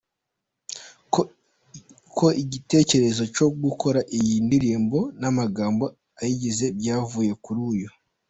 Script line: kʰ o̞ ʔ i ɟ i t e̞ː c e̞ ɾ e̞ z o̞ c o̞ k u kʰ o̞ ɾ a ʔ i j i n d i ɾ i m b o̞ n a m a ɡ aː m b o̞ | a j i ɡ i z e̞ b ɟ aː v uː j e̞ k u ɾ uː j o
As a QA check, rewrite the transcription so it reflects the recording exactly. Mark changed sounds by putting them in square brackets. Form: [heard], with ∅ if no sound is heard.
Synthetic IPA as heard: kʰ o̞ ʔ i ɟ i t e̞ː c e̞ ɾ e̞ z o̞ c o̞ [ɡ] u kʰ o̞ ɾ a ʔ i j i n d i ɾ [iː] m b o̞ n a m a ɡ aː m b o̞ | a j i [ɟ] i z e̞ b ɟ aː v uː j e̞ k u ɾ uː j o